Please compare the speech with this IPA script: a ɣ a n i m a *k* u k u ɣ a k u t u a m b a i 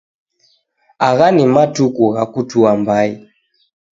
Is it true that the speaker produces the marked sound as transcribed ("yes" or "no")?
no